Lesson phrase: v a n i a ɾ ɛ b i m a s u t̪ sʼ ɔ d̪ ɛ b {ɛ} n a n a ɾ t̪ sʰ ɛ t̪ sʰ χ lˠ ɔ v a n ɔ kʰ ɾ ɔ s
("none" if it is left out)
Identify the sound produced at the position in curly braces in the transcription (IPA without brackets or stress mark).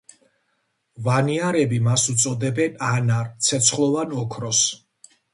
ɛ